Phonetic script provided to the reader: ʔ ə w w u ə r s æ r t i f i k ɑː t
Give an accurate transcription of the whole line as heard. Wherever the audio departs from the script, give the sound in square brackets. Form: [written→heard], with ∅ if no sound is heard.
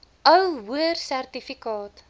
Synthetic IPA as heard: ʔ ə w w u ə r s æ r t i f i k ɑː t